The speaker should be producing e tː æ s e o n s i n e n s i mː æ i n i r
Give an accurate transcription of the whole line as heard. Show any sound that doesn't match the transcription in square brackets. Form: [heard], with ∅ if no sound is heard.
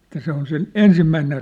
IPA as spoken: e tː æ s e o n s [e] n e n s i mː æ i n [e] r